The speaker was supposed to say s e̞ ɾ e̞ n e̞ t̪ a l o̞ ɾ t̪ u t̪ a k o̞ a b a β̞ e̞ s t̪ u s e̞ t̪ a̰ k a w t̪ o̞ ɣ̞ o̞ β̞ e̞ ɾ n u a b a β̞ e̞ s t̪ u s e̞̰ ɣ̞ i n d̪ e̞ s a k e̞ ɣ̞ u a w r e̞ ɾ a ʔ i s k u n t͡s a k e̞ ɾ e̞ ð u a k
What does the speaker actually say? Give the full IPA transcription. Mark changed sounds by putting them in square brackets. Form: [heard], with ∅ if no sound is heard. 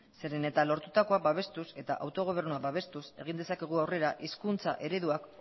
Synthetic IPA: s e̞ ɾ e̞ n e̞ t̪ a l o̞ ɾ t̪ u t̪ a k o̞ a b a β̞ e̞ s t̪ u s e̞ t̪ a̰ [ʔ] a w t̪ o̞ ɣ̞ o̞ β̞ e̞ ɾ n u a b a β̞ e̞ s t̪ u s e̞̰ ɣ̞ i n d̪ e̞ s a k e̞ ɣ̞ u a w r e̞ ɾ a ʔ i s k u n t͡s a [ʔ] e̞ ɾ e̞ ð u a k